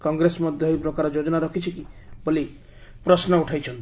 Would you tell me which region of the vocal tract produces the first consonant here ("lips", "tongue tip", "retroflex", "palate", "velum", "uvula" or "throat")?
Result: velum